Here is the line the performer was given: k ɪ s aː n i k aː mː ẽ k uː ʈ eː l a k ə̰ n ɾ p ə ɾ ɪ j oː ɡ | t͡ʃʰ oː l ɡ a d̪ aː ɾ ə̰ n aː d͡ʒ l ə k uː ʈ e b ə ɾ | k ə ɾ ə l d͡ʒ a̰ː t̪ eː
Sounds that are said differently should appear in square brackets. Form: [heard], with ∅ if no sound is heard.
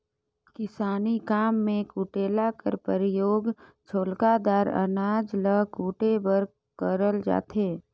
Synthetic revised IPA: k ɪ s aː n i k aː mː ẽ k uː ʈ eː l a k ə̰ [∅] ɾ p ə ɾ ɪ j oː ɡ | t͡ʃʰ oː l [k] a d̪ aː ɾ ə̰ n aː d͡ʒ l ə k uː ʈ e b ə ɾ | k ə ɾ ə l d͡ʒ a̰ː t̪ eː